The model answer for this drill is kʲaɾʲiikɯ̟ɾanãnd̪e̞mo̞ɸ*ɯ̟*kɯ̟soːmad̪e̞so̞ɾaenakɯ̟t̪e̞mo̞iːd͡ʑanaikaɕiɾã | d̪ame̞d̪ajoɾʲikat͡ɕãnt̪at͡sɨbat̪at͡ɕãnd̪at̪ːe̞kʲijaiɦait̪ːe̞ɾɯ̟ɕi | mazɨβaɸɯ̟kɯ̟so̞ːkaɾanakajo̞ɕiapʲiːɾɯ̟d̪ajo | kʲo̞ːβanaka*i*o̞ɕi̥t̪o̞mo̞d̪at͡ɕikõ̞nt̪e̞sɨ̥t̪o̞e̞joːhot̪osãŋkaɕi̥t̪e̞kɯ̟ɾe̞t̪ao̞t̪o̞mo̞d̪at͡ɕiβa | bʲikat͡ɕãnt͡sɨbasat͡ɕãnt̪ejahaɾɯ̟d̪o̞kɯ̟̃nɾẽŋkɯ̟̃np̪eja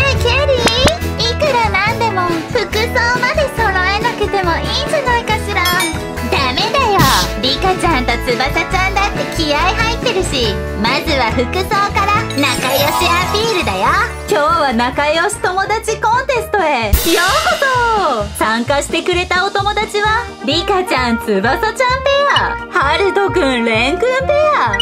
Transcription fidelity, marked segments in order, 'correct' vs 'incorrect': correct, incorrect

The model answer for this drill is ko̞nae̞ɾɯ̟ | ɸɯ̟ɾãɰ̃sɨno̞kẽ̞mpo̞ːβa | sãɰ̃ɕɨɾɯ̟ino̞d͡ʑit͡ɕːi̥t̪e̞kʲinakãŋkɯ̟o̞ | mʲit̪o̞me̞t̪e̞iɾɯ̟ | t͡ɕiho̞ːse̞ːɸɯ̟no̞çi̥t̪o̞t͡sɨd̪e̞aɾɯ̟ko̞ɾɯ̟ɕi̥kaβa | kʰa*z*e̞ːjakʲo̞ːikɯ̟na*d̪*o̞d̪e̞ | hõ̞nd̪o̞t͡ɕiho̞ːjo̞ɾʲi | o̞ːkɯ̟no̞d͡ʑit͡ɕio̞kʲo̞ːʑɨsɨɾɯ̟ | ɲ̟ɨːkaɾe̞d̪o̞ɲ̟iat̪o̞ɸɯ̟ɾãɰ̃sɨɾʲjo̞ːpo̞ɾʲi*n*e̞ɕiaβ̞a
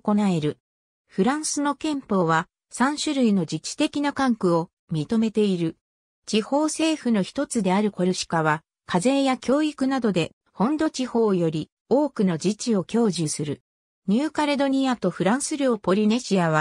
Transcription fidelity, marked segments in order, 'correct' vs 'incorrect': correct, correct, correct

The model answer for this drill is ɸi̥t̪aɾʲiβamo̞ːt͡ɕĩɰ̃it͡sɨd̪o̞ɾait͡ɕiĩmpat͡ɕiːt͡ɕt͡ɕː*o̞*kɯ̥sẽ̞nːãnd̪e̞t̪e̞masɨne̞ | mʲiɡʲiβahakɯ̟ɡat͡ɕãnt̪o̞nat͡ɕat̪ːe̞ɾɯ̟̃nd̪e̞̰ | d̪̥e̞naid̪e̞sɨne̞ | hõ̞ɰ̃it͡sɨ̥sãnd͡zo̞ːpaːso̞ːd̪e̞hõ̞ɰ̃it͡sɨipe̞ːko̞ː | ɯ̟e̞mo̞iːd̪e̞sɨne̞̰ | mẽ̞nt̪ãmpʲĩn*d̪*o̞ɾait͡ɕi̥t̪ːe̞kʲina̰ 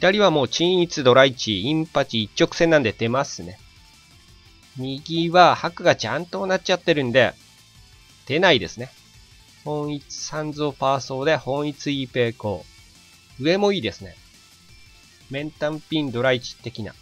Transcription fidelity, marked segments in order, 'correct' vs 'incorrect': correct, correct

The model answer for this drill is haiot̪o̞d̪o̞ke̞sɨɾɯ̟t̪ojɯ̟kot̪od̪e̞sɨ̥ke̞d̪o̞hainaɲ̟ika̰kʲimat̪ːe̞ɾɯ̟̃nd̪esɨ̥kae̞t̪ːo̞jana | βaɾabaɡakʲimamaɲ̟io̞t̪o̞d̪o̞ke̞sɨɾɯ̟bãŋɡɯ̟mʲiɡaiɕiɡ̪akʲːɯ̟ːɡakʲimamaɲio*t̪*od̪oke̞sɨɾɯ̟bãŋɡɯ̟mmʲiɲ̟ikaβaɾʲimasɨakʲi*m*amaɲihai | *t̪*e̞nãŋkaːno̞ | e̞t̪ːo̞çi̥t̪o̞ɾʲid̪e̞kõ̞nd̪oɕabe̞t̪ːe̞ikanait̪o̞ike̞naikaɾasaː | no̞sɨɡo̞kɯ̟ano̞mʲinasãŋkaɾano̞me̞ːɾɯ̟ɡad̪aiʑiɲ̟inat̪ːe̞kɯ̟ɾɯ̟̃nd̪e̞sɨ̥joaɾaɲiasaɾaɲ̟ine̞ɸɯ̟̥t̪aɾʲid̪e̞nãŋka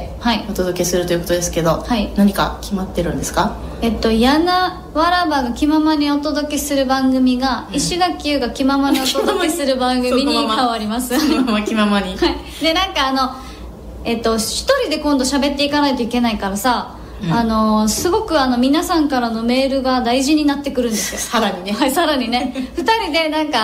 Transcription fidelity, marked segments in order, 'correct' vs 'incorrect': correct, correct, incorrect

